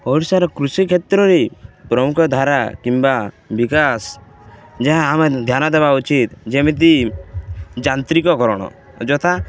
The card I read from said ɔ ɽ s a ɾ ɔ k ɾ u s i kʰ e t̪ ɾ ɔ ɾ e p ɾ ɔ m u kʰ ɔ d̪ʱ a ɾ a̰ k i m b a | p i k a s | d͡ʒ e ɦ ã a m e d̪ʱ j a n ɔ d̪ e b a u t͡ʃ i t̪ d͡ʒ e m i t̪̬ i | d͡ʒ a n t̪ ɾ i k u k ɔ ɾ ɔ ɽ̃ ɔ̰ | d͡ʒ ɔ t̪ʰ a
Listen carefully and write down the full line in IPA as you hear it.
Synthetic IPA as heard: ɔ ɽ s a ɾ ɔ k ɾ u s i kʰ e t̪ ɾ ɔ ɾ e p ɾ ɔ m u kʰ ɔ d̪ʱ a ɾ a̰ k i m b a | b i k a s | d͡ʒ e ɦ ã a m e d̪ʱ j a n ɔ d̪ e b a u t͡ʃ i t̪ d͡ʒ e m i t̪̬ i | d͡ʒ a n t̪ ɾ i k ɔ k ɔ ɾ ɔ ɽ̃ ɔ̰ | d͡ʒ ɔ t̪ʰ a

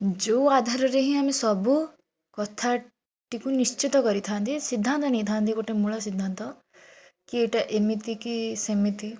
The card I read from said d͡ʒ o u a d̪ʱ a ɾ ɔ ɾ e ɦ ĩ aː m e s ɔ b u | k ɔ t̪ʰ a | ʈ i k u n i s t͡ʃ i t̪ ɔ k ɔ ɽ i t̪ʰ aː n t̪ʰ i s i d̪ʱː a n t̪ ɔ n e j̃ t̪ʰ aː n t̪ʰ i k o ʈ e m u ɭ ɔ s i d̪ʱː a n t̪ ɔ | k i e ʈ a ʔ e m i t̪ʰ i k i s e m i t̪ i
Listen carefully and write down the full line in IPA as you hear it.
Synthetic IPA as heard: d͡ʒ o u a d̪ʱ a ɾ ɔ ɾ e ɦ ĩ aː m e s ɔ b u | k ɔ t̪ʰ a | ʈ i k u n i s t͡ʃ i t̪ ɔ k ɔ ɾ i t̪ʰ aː n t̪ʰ i s i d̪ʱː a n t̪ ɔ n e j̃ t̪ʰ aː n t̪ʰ i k o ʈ e m u ɭ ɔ s i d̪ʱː a n t̪ ɔ | k i e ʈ a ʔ e m i t̪ i k i s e m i t̪ i

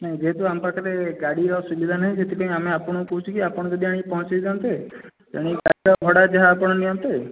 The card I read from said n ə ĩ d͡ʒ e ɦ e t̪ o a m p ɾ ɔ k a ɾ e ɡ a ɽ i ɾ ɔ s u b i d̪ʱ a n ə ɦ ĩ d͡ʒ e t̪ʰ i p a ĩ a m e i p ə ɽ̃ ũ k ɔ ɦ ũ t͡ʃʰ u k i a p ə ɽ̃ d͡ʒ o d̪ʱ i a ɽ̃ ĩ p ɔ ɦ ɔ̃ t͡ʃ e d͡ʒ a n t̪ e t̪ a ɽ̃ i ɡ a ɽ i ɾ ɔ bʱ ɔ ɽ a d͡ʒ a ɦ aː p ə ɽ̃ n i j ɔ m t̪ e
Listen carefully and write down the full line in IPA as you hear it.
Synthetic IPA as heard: n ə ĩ d͡ʒ e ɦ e t̪ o a m p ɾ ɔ k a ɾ e ɡ a ɽ i ɾ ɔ s u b i d̪ʱ a n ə ɦ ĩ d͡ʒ e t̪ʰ i p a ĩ a m e a p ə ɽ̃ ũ k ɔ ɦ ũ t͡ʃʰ u k i a p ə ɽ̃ d͡ʒ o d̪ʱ i a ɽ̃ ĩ p ɔ ɦ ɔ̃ t͡ʃ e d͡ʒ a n t̪ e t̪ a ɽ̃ i ɡ a ɽ i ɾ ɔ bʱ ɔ ɽ a d͡ʒ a ɦ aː p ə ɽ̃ n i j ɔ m t̪ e

